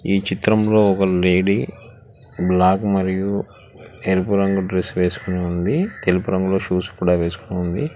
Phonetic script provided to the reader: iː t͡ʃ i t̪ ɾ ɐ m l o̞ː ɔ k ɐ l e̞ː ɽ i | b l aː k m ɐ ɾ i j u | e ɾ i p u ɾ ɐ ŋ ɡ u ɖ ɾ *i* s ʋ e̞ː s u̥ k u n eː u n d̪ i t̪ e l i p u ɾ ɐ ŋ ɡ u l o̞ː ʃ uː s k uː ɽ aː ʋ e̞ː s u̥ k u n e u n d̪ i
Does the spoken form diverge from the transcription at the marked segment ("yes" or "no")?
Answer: yes